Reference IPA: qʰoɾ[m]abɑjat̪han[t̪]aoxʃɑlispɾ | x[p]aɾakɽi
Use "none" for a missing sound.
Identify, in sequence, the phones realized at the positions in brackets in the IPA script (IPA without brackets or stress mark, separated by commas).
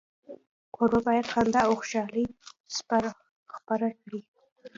b, d̪, p